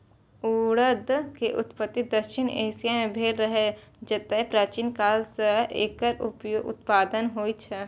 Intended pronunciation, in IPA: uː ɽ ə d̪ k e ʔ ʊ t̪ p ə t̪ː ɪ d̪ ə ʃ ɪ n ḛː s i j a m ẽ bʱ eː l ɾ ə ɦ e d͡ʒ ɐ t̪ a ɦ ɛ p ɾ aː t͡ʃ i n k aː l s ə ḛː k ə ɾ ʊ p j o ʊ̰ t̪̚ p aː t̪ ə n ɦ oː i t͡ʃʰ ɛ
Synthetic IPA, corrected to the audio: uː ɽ ə d̪ k e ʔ ʊ t̪ p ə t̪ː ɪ d̪ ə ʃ ɪ n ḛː s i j a m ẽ bʱ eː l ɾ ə ɦ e d͡ʒ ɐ t̪ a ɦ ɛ p ɾ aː t͡ʃ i n k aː l s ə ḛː k ə ɾ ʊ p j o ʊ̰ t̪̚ p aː d̪ ə n ɦ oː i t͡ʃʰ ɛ